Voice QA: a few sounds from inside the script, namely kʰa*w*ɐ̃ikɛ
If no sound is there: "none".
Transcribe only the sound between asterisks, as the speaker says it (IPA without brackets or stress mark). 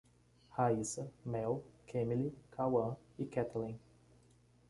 w